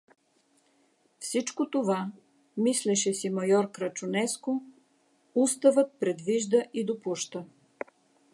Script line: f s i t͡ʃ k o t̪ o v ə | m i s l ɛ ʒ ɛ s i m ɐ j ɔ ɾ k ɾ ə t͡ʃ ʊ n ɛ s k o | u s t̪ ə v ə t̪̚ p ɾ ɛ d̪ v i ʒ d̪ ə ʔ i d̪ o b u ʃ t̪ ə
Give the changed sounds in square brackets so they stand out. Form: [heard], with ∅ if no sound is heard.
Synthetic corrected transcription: f s i t͡ʃ k o t̪ o v [a] | m i s l ɛ [ʃ] ɛ s i m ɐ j ɔ ɾ k ɾ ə t͡ʃ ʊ n ɛ s k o | u s t̪ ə v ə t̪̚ p ɾ ɛ d̪ v i ʒ d̪ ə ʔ i d̪ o [p] u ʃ t̪ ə

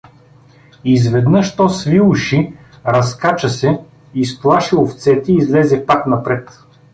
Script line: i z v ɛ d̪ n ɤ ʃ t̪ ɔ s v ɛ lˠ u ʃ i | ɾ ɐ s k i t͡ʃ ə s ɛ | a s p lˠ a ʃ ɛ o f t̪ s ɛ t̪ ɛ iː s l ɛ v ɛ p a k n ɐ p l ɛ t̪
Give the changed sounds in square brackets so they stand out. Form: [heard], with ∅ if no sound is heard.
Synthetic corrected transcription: i z v ɛ d̪ n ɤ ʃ t̪ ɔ s v [i] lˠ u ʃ i | ɾ ɐ s k [a] t͡ʃ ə s ɛ | [i] s p lˠ a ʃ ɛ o f t̪ s ɛ t̪ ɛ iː [z] l ɛ [z] ɛ p a k n ɐ p [ɾ] ɛ t̪

